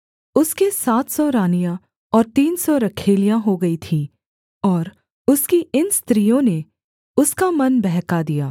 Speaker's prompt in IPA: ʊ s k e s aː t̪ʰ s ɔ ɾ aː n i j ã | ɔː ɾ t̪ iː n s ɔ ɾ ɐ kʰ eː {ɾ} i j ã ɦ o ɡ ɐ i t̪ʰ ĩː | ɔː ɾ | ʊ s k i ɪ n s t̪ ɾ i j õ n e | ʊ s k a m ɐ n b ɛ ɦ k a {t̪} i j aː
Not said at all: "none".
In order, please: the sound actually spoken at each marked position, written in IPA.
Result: l, d̪

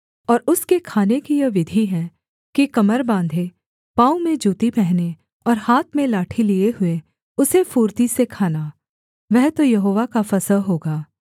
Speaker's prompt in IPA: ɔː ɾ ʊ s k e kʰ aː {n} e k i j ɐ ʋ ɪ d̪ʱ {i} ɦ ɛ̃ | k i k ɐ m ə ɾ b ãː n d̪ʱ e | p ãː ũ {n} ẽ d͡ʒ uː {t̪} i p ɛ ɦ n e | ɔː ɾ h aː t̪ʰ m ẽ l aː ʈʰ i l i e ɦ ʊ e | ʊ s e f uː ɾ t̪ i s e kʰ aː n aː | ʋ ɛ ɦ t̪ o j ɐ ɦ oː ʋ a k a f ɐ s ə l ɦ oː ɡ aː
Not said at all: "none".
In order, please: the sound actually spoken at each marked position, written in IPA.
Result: n, i, m, t̪

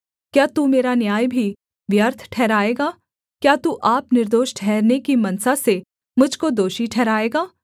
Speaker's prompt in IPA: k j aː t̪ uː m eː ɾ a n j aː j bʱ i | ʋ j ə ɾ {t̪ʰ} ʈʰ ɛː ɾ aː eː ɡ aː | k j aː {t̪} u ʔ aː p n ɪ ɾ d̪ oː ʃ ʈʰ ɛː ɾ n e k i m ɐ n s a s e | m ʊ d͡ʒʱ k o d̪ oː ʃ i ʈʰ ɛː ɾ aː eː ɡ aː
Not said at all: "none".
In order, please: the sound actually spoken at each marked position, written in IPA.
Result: t̪ʰ, t̪

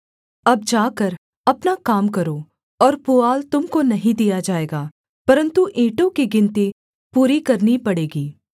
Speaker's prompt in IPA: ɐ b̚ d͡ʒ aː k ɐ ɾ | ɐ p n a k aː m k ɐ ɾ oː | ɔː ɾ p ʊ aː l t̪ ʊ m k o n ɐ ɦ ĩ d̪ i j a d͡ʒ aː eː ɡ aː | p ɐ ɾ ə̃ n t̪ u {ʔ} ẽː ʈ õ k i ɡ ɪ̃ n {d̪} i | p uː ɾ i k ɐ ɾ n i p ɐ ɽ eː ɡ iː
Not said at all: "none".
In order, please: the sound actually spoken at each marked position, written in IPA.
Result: ʔ, t̪

